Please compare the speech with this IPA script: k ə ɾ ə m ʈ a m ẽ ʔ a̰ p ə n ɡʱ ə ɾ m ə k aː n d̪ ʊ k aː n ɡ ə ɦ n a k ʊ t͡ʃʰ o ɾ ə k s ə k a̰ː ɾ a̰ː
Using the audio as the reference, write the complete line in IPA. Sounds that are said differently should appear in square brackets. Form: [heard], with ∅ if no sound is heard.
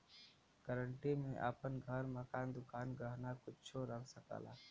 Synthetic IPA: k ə ɾ ə [ɳ] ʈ [i] m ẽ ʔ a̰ p ə n ɡʱ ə ɾ m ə k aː n d̪ ʊ k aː n ɡ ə ɦ n a k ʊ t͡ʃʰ o ɾ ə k s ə k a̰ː [l] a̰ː